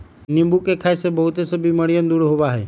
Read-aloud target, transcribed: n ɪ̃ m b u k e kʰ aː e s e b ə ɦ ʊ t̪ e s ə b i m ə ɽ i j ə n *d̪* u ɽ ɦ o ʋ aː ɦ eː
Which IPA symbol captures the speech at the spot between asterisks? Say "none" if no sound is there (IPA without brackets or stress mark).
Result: d̪